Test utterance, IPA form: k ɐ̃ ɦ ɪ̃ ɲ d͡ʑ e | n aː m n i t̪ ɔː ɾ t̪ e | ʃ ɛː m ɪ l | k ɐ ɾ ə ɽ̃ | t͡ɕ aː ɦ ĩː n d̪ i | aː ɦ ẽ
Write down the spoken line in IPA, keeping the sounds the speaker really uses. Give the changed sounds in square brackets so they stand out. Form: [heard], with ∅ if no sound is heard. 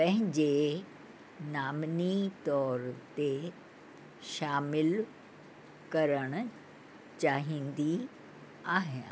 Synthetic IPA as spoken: [p] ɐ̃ ɦ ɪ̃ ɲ d͡ʑ e | n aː m n i t̪ ɔː ɾ t̪ e | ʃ [aː] m ɪ l | k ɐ ɾ ə ɽ̃ | t͡ɕ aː ɦ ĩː n d̪ i | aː ɦ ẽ